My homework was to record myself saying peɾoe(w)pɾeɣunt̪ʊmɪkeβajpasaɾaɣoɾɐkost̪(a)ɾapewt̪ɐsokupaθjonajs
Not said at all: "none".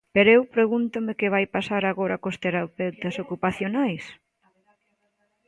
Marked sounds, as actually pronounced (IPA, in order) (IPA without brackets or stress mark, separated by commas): w, e